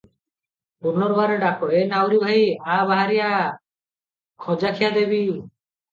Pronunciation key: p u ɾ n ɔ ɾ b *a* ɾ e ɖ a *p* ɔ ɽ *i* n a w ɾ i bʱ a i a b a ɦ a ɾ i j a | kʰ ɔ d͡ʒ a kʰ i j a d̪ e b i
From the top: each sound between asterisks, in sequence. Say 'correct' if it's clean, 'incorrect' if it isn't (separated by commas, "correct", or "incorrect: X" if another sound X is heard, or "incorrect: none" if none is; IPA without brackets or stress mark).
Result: correct, incorrect: k, incorrect: e